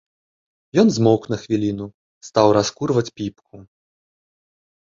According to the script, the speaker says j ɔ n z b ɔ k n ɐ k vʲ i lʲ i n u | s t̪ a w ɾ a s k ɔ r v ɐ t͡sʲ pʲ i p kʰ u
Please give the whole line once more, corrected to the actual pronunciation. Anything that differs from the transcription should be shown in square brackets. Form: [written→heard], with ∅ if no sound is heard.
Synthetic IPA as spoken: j ɔ n z [b→m] ɔ k n ɐ [k→x] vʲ i lʲ i n u | s t̪ a w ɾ a s k [ɔ→u] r v ɐ t͡sʲ pʲ i p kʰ u

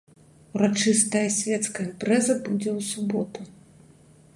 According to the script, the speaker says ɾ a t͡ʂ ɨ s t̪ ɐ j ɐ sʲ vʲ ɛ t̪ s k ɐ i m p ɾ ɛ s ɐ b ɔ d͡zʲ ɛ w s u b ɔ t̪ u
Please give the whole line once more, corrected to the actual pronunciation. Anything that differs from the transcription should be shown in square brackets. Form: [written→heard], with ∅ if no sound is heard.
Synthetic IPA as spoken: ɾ a t͡ʂ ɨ s t̪ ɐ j ɐ sʲ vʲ ɛ t̪ s k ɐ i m p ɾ ɛ [s→z] ɐ b [ɔ→u] d͡zʲ ɛ w s u b ɔ t̪ u

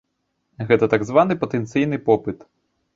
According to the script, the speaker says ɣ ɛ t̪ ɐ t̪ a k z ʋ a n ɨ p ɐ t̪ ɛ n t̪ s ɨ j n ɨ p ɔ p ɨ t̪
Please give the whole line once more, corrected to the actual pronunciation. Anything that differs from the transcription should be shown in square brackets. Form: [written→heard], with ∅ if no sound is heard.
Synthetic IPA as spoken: ɣ ɛ t̪ ɐ t̪ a [k→ɡ] z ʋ a n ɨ p ɐ t̪ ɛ n t̪ s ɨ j n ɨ p ɔ p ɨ t̪

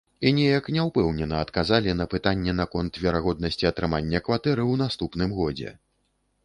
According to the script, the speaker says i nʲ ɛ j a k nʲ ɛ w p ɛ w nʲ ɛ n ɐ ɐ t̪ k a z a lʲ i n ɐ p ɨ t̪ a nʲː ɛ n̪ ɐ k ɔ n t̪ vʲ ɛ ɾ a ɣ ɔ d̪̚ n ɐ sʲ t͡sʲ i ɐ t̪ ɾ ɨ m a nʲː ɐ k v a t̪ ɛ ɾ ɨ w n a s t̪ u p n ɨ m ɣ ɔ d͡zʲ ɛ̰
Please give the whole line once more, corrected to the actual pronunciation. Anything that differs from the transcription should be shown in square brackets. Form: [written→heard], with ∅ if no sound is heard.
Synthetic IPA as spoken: i nʲ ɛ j [a→ɐ] k nʲ ɛ w p ɛ w nʲ ɛ n ɐ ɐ t̪ k a z a lʲ i n ɐ p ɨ t̪ a nʲː ɛ n̪ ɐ k ɔ n t̪ vʲ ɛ ɾ a ɣ ɔ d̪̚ n ɐ sʲ t͡sʲ i ɐ t̪ ɾ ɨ m a nʲː ɐ k v a t̪ ɛ ɾ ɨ w n a s t̪ u p n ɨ m ɣ ɔ d͡zʲ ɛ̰

